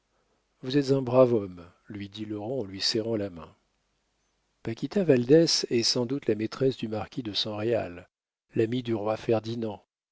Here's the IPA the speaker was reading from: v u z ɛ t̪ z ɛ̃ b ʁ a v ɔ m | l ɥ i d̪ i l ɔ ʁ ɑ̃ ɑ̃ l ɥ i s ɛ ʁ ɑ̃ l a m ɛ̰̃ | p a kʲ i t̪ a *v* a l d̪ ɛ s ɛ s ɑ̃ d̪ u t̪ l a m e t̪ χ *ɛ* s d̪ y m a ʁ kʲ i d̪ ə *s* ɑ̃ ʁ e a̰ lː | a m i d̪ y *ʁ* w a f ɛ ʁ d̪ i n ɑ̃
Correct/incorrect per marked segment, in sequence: correct, correct, correct, correct

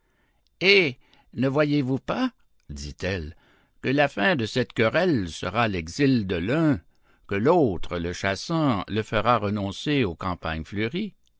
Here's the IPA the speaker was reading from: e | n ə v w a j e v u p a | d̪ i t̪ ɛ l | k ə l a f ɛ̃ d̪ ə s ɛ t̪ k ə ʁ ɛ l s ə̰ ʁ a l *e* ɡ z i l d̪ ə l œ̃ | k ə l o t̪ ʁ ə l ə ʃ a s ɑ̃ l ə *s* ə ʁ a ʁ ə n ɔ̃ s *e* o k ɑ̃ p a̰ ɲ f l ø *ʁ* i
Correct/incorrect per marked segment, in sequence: incorrect: ɛ, incorrect: f, correct, correct

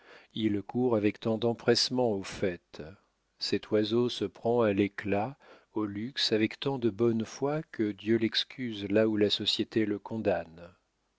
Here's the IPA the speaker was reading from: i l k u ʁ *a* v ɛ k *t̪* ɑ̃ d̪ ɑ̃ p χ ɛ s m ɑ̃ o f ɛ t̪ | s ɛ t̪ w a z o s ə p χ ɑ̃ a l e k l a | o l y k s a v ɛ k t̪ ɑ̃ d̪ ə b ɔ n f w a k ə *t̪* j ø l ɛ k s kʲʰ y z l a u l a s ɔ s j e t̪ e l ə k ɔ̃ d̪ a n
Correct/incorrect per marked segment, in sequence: correct, correct, incorrect: d̪

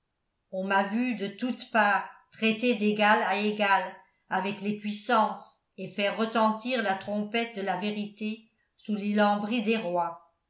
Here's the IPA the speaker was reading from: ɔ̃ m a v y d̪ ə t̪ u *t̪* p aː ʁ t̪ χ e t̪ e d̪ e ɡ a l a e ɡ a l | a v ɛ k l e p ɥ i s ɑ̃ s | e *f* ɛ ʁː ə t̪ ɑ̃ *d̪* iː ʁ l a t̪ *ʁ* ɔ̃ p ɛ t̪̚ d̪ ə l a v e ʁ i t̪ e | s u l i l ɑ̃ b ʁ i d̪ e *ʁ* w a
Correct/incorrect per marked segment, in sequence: correct, correct, incorrect: t̪, incorrect: χ, correct

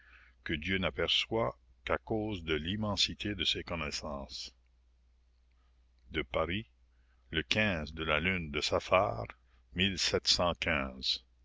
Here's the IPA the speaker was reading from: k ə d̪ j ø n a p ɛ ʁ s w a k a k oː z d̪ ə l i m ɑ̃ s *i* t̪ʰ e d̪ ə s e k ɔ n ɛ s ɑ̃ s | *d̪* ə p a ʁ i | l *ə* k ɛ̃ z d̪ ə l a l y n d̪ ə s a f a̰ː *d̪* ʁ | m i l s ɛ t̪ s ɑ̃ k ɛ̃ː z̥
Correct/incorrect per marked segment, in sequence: correct, correct, correct, incorrect: none

